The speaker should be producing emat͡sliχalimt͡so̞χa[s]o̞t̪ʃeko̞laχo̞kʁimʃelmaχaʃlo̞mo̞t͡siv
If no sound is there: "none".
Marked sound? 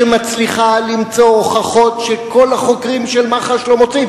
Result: χ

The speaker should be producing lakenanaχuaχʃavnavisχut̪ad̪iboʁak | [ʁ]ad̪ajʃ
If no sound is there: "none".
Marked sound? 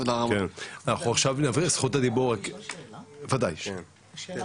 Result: v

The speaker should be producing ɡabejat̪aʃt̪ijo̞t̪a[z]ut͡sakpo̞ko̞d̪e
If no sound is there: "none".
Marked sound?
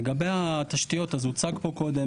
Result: z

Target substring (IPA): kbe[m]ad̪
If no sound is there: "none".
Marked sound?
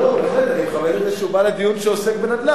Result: n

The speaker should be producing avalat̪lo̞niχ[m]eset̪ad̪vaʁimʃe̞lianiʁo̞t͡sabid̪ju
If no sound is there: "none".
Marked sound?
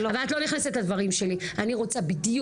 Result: n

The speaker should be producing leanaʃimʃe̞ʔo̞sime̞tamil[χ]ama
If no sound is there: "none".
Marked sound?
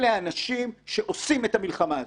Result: χ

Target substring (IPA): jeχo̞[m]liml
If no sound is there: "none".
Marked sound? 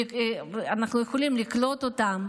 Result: none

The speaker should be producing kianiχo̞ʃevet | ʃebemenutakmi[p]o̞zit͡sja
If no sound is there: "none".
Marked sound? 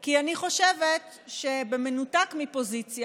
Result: p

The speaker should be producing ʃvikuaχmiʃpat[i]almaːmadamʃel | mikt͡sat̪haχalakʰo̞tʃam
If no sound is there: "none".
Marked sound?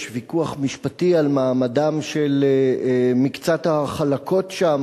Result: i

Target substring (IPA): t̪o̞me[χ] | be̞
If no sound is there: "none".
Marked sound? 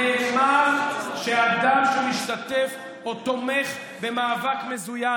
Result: χ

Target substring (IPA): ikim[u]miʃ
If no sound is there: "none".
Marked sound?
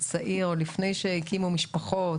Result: u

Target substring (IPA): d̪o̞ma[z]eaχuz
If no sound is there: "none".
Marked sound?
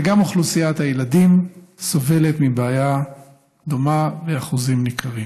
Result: v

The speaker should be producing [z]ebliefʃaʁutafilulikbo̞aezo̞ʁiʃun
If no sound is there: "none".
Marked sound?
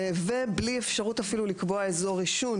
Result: v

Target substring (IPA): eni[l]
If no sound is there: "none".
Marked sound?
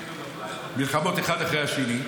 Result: none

